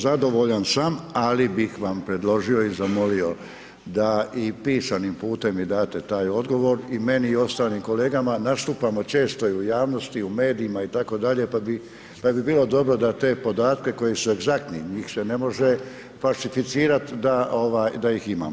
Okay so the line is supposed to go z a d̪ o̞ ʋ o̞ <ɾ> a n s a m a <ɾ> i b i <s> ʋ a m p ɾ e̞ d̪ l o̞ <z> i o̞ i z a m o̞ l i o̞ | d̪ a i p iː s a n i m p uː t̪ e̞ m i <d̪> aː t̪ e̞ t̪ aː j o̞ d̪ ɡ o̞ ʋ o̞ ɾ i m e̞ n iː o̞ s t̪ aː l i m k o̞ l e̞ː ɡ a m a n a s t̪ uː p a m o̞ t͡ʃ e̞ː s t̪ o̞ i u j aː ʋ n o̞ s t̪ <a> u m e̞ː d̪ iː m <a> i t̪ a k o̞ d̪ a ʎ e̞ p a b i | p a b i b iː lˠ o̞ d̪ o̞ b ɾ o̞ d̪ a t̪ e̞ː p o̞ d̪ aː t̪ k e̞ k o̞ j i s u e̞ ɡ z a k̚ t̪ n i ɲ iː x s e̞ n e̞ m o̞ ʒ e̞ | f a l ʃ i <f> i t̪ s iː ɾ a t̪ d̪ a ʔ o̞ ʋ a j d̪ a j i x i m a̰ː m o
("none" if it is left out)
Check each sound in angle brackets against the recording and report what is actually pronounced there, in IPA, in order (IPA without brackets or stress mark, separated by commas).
ʎ, l, x, ʒ, d̪, i, a, f